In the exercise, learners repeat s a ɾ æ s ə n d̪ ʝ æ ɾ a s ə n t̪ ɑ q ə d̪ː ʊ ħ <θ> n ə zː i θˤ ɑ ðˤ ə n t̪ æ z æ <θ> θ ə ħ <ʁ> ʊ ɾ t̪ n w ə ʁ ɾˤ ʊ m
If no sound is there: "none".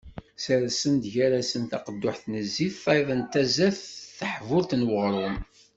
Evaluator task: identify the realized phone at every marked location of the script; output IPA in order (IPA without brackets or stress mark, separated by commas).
θ, θ, v